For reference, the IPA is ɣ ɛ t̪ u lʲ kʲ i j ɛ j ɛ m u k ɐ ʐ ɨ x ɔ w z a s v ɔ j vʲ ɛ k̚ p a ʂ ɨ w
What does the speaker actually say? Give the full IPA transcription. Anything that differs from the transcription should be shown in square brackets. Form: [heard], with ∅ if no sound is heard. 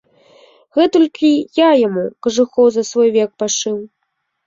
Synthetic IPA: ɣ ɛ t̪ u lʲ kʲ i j [a] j [a] m u k ɐ ʐ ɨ x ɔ w z [ɐ] s v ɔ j vʲ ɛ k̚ p a ʂ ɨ w